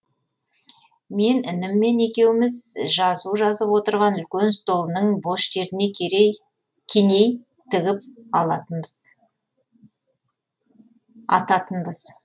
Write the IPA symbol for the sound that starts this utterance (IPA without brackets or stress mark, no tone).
m